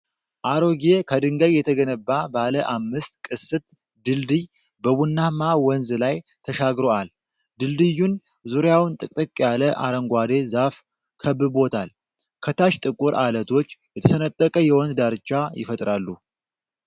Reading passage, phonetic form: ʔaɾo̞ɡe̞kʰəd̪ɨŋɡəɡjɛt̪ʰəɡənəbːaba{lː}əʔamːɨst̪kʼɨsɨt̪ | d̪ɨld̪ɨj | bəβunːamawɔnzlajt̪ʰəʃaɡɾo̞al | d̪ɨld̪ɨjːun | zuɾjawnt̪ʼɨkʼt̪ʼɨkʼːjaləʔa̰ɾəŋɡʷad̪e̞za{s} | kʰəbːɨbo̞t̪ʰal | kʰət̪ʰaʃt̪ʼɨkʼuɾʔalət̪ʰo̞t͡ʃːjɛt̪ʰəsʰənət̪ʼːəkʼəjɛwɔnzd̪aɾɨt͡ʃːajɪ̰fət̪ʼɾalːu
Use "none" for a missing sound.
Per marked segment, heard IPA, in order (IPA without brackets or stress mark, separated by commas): l, f